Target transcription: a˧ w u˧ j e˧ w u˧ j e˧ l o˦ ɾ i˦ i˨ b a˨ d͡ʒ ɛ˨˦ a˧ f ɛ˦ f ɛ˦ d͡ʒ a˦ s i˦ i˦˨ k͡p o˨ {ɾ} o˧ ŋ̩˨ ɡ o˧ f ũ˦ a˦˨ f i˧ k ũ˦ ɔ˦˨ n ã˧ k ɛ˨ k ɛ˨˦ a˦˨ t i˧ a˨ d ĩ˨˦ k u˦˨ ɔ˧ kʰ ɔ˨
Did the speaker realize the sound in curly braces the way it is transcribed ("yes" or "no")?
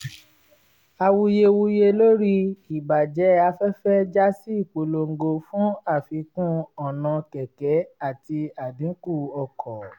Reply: no